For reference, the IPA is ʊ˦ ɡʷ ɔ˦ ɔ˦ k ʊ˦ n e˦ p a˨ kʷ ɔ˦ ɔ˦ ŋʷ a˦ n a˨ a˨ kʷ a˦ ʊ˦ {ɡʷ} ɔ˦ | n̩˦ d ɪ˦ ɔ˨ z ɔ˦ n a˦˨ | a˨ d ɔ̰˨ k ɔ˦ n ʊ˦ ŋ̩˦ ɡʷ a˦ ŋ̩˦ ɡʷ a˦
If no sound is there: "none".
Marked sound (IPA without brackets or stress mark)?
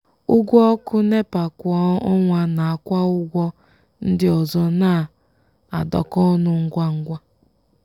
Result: ɡʷ